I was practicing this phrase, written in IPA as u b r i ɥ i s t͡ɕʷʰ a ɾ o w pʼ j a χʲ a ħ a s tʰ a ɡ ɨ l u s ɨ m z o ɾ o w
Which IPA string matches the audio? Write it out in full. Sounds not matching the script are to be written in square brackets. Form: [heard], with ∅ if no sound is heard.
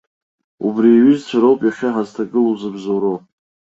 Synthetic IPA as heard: u b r i ɥ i [z] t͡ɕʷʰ a ɾ o w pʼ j a χʲ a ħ a [z] tʰ a ɡ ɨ l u [z] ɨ [b] z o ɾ o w